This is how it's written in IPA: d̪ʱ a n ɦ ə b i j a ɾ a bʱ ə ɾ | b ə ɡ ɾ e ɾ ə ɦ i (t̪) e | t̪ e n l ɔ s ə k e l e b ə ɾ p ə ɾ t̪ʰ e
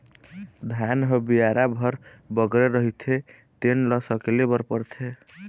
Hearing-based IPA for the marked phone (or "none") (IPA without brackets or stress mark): t̪ʰ